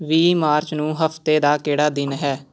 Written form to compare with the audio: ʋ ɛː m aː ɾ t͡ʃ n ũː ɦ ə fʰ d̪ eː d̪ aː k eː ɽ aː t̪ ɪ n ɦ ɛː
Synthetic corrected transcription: ʋ iː m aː ɾ t͡ʃ n ũː ɦ ə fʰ t̪ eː d̪ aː k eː ɽ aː d̪ ɪ n ɦ ɛː